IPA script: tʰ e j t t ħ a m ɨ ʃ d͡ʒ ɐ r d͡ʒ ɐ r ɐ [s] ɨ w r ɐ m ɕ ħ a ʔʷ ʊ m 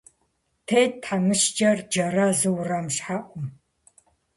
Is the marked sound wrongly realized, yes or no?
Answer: yes